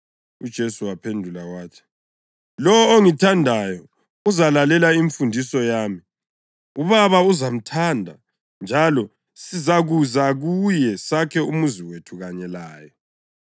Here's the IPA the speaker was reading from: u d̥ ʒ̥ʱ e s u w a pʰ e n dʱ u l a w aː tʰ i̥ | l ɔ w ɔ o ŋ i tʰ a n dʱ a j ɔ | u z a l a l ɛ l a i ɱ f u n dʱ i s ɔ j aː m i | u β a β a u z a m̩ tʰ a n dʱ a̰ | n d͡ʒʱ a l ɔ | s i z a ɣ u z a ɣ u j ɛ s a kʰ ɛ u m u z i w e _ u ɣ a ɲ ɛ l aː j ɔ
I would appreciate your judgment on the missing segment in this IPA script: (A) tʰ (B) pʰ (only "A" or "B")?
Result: A